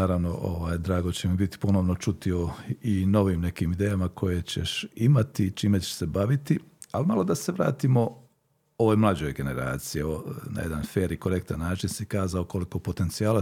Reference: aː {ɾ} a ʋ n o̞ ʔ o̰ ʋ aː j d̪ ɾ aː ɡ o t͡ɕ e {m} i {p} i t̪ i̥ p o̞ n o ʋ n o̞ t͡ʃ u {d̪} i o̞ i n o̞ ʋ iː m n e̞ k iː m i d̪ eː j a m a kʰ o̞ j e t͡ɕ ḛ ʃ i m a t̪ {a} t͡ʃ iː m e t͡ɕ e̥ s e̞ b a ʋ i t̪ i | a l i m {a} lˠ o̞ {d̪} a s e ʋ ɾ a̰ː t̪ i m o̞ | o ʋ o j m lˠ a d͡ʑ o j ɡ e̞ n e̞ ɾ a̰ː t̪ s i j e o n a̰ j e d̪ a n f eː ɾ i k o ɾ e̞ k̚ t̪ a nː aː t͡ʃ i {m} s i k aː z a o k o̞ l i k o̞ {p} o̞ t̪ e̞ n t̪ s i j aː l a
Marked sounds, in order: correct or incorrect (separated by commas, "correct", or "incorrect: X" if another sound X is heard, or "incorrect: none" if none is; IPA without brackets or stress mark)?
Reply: correct, correct, incorrect: b, incorrect: t̪, incorrect: i, correct, correct, incorrect: n, correct